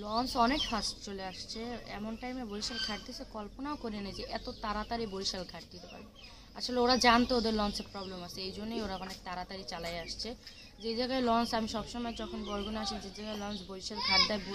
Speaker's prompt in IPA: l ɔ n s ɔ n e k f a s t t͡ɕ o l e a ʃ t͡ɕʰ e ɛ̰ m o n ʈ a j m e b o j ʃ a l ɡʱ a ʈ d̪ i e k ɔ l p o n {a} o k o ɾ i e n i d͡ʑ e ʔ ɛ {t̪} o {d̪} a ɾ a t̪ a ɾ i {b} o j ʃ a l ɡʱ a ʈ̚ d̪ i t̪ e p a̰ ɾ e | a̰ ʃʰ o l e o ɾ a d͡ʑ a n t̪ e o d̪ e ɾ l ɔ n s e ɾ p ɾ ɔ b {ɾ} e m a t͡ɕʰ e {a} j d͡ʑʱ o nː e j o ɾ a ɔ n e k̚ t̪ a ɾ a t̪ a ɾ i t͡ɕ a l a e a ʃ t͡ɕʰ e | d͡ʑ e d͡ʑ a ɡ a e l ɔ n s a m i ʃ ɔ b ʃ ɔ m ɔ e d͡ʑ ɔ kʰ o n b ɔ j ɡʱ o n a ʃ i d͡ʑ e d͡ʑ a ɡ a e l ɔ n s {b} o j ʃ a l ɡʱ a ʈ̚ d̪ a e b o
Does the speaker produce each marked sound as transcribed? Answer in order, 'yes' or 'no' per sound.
yes, yes, no, yes, no, no, yes

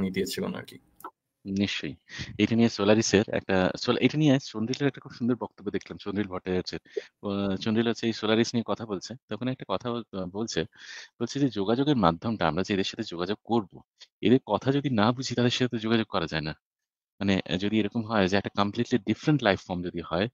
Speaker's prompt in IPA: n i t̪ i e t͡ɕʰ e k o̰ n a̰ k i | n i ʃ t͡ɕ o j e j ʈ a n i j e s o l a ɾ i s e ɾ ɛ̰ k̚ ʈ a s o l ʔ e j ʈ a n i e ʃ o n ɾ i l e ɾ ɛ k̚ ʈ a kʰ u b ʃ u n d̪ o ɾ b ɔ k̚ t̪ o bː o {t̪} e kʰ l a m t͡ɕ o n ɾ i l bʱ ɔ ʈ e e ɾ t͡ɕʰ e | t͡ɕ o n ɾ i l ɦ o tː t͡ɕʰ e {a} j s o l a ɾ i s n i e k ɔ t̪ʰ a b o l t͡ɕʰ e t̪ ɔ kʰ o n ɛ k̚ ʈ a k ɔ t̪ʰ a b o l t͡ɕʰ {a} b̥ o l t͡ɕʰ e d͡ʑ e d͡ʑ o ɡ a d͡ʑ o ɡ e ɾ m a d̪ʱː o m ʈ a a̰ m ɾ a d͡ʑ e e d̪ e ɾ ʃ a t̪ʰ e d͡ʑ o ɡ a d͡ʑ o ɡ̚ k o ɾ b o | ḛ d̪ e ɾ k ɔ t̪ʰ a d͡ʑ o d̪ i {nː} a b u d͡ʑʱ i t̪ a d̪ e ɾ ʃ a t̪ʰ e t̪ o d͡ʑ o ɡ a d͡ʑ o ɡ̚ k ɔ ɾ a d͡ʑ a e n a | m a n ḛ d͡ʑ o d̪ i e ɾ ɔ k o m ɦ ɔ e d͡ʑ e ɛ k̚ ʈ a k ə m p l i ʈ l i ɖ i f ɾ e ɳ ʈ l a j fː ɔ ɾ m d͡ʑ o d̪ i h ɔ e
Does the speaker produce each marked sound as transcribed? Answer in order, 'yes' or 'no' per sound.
no, no, no, no

